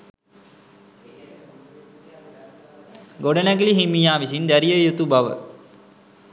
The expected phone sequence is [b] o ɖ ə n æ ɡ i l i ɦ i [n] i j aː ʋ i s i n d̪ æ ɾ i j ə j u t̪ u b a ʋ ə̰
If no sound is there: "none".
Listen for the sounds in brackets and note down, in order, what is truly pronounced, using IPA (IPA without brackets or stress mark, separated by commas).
ɡ, m